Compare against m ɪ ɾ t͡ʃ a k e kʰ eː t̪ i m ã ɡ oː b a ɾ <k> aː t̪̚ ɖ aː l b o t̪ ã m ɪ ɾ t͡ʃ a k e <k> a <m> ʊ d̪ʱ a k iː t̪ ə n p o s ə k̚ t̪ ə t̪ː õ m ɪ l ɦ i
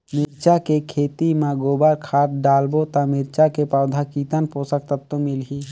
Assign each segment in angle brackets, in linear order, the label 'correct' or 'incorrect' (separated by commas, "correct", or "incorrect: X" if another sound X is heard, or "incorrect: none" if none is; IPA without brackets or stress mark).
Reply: incorrect: kʰ, incorrect: p, incorrect: none